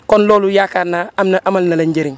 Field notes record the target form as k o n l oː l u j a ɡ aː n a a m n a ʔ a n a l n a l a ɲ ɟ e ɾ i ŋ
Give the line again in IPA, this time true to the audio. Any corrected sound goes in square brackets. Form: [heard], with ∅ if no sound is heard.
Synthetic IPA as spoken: k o n l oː l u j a [k] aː n a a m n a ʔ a [m] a l n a l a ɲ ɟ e ɾ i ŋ